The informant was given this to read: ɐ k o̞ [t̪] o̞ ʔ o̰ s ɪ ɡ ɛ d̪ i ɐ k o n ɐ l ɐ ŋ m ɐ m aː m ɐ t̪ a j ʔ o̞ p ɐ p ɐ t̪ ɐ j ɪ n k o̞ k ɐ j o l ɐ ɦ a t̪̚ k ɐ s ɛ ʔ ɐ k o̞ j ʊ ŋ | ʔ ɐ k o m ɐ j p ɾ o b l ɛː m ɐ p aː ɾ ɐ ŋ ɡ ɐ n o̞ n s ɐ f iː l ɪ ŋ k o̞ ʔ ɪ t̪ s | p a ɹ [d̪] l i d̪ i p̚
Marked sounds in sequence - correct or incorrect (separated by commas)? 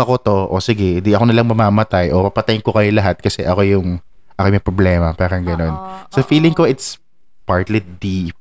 correct, incorrect